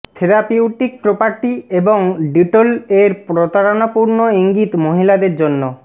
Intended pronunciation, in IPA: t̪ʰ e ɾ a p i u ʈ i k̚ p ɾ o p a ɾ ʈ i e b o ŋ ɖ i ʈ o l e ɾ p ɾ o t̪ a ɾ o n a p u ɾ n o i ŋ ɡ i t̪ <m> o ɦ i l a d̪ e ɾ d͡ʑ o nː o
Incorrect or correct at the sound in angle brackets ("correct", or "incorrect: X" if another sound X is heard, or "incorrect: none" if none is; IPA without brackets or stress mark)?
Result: correct